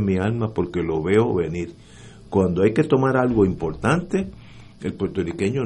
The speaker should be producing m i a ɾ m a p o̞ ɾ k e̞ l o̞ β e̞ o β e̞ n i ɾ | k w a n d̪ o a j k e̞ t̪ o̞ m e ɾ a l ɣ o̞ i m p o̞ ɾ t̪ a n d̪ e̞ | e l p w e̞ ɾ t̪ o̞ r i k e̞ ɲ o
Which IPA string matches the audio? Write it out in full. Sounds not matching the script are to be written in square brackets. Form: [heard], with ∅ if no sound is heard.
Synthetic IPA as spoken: m i a [l] m a p o̞ ɾ k e̞ l o̞ β e̞ o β e̞ n i ɾ | k w a n d̪ o a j k e̞ t̪ o̞ m [a] ɾ a l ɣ o̞ i m p o̞ ɾ t̪ a n [t̪] e̞ | e l p w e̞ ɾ t̪ o̞ r i k e̞ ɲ o